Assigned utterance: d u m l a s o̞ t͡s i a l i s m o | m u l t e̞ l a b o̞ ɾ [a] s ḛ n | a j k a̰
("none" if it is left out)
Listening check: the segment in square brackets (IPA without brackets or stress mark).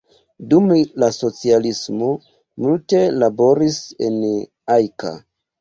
i